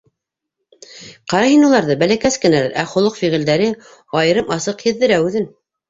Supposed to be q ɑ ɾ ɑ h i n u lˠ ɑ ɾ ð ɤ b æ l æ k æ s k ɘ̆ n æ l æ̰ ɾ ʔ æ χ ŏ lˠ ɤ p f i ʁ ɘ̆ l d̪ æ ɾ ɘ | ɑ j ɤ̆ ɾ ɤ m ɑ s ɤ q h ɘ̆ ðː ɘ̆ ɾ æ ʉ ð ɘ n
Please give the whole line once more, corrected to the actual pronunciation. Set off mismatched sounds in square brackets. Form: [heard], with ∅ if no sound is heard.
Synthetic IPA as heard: q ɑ ɾ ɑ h i n u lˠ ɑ ɾ ð ɤ b æ l æ k æ s k ɘ̆ n æ l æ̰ ɾ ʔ æ χ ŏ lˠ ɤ [q] f i ʁ ɘ̆ l d̪ æ ɾ ɘ | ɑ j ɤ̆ ɾ ɤ m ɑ s ɤ q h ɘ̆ ðː ɘ̆ ɾ æ ʉ ð ɘ n